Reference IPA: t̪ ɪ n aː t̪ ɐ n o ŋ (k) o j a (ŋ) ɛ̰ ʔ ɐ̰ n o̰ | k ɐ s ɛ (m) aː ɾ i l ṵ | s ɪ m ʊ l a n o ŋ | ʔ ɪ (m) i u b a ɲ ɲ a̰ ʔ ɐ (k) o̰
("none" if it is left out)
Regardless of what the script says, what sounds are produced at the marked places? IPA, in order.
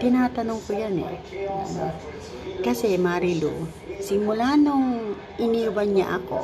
k, n, m, n, k

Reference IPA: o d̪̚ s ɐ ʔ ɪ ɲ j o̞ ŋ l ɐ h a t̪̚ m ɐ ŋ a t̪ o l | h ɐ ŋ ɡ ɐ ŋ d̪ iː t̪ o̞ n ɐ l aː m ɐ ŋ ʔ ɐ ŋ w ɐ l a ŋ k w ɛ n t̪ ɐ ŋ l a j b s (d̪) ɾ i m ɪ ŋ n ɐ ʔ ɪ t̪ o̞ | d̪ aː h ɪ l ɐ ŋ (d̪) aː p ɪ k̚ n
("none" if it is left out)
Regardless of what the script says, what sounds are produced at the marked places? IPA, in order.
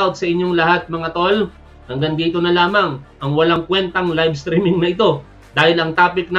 t̪, t̪

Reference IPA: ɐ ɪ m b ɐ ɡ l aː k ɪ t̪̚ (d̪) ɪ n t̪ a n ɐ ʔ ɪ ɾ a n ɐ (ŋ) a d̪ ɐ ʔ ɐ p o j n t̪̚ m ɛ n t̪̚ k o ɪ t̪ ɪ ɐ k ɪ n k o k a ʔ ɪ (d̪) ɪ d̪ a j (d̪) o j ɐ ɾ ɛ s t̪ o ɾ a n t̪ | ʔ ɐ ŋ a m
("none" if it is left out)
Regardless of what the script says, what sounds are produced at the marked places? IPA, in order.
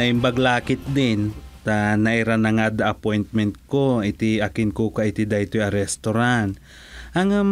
d̪, ŋ, t̪, t̪

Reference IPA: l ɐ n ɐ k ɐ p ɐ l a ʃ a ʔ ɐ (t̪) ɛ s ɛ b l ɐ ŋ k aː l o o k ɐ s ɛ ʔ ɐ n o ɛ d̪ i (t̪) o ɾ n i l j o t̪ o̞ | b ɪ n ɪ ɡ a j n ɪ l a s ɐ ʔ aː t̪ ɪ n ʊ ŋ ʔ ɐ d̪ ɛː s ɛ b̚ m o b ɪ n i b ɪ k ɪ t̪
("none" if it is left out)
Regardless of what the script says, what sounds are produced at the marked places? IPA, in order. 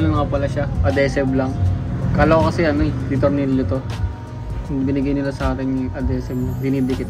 d̪, t̪

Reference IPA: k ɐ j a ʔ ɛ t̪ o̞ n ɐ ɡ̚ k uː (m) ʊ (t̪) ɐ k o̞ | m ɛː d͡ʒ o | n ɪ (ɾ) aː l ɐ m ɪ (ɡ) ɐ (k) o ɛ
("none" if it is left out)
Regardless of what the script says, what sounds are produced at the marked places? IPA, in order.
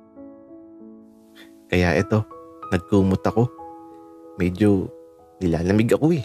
m, t̪, l, ɡ, k

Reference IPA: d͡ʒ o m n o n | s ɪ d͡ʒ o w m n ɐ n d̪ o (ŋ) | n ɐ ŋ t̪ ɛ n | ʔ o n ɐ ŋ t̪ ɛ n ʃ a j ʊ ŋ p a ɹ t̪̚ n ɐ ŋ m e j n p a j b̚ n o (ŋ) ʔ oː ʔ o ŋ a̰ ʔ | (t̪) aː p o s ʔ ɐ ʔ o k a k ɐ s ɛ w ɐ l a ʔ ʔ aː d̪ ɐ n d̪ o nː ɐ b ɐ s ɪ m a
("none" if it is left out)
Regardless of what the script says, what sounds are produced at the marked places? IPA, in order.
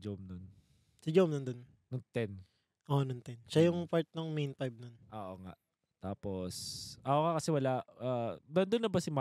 n, n, t̪

